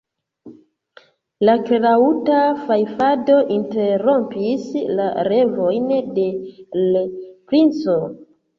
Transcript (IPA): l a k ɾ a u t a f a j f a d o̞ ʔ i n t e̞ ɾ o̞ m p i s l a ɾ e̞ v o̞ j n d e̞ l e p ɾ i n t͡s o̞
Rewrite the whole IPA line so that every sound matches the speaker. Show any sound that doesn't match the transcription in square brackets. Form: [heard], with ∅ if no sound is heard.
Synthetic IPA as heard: l a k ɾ a u t a f a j f a d o̞ ʔ i n t e̞ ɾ o̞ m p i s l a ɾ e̞ v o̞ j n d e̞ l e p ɾ i n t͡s o̞